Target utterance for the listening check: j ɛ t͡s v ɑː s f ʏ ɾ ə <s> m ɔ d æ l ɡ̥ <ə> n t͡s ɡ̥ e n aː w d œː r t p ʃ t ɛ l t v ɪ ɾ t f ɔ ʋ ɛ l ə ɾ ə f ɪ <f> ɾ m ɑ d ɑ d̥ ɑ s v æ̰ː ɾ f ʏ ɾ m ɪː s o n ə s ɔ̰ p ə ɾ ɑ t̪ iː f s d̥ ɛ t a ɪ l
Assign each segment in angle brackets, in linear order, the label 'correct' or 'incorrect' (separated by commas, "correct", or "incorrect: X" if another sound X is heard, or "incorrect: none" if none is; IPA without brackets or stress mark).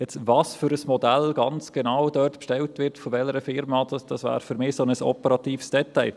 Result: correct, incorrect: ɑ, incorrect: none